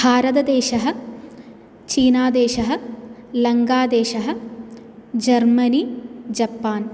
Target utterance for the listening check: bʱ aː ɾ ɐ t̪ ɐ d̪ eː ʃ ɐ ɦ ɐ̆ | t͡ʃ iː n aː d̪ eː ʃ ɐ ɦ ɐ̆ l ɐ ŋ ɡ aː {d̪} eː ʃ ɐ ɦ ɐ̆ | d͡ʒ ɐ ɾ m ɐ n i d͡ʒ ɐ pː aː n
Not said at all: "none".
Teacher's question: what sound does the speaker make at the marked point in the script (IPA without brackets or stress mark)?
d̪